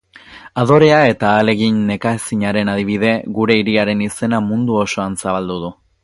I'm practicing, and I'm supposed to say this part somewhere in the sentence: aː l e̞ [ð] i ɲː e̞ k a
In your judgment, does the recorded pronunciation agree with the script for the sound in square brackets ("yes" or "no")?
no